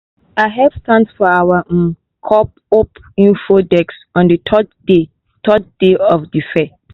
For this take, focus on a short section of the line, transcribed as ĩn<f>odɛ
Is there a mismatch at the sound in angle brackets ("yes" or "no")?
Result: no